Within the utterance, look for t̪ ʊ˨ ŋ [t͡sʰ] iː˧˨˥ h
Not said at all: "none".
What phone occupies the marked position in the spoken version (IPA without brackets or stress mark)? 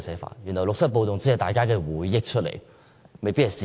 t͡s